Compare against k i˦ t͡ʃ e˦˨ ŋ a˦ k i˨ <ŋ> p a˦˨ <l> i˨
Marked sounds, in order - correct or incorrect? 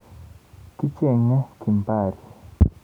incorrect, incorrect

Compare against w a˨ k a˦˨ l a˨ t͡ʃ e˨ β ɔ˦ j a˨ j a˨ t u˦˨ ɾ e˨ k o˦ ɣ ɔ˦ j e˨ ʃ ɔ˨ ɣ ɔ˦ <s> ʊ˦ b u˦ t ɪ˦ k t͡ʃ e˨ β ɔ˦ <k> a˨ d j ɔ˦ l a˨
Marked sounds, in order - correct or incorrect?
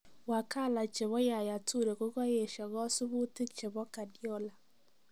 correct, correct

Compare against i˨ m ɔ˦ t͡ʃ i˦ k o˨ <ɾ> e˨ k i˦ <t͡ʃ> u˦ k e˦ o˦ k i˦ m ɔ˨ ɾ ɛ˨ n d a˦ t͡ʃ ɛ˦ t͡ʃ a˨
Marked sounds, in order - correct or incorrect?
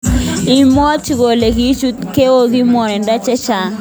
incorrect, correct

